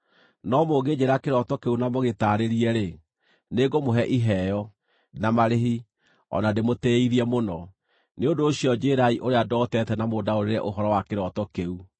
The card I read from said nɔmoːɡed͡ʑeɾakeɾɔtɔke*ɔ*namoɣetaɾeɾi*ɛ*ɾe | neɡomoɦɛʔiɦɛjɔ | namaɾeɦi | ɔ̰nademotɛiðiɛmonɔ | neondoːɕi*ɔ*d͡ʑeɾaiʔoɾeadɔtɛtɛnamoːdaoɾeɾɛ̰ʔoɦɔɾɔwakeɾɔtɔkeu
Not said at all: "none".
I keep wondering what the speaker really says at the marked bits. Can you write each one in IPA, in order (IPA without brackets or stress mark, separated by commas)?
u, ɛ, ɔ